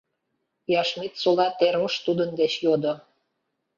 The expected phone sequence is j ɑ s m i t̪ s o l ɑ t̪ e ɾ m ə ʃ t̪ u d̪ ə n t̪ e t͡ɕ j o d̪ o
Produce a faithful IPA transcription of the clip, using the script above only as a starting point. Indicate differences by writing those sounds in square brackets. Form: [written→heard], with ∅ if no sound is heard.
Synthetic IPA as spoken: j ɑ [s→ʃ] m i t̪ s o l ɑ t̪ e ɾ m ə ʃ t̪ u d̪ ə n [t̪→d̪] e t͡ɕ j o d̪ o